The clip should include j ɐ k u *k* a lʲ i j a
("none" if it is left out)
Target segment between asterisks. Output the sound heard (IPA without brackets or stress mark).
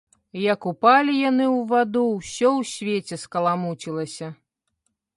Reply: p